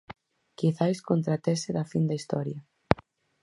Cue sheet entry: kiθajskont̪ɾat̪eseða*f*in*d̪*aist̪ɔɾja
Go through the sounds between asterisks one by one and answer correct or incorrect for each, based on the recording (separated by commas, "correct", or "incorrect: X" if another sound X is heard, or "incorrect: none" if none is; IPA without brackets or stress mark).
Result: correct, correct